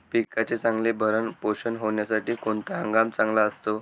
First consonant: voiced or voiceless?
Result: voiceless